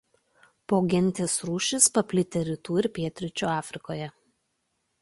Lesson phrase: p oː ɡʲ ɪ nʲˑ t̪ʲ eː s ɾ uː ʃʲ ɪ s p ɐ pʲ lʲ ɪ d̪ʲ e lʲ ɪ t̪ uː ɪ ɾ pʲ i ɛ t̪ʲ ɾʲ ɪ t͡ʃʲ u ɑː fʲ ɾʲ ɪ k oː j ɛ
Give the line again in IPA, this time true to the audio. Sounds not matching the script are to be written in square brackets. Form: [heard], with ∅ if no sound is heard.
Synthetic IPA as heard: p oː ɡʲ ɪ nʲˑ t̪ʲ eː s ɾ uː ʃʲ ɪ s p ɐ pʲ lʲ ɪ [t̪ʲ] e [ɾʲ] ɪ t̪ uː ɪ ɾ pʲ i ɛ t̪ʲ ɾʲ ɪ t͡ʃʲ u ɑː fʲ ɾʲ ɪ k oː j ɛ